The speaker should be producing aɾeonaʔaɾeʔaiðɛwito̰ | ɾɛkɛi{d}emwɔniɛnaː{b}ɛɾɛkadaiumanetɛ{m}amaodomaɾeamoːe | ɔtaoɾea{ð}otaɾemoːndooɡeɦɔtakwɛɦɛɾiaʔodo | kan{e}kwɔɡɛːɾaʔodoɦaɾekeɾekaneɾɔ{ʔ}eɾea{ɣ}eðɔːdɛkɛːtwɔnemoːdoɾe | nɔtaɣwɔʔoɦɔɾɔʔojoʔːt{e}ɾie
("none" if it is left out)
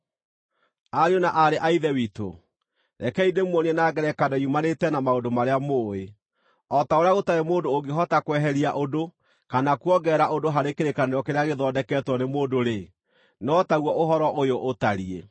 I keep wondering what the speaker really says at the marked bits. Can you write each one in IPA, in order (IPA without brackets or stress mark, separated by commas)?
d, ɡ, n, ɣ, a, k, ɣ, a